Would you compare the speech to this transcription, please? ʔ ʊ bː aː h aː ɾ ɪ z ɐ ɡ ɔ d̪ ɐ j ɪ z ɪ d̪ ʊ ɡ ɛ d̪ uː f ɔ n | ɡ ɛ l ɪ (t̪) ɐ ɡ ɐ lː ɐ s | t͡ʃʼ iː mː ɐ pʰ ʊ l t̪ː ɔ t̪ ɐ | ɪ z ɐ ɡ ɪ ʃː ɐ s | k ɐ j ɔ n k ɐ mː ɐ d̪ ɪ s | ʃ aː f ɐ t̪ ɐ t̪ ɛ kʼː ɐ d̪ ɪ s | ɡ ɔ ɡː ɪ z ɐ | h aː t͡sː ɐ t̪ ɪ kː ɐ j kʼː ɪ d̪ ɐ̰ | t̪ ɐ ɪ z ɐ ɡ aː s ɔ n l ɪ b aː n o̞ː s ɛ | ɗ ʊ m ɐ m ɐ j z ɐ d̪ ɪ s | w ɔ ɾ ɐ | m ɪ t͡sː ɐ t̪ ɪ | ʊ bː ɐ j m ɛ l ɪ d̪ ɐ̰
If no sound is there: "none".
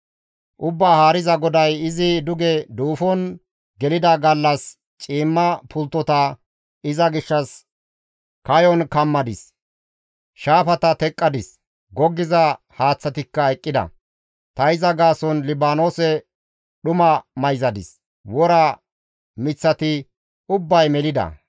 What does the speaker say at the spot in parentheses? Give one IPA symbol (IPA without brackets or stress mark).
d̪